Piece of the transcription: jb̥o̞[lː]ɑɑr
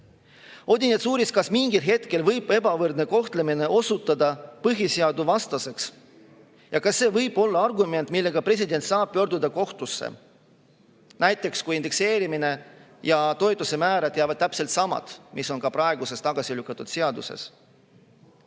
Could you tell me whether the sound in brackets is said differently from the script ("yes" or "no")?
no